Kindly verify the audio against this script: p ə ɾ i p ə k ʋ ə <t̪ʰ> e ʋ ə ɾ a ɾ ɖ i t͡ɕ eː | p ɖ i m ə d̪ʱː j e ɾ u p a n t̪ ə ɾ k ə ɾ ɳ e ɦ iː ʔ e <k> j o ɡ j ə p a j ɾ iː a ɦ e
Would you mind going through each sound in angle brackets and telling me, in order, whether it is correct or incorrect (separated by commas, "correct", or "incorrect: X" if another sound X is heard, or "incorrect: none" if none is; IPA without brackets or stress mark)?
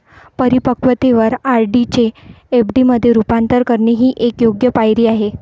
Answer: incorrect: t̪, correct